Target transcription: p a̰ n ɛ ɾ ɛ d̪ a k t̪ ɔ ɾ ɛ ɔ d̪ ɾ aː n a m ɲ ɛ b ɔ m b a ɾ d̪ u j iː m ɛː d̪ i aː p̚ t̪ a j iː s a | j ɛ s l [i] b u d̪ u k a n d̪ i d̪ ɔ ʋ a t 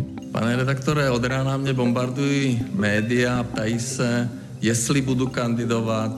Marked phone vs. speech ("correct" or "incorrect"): correct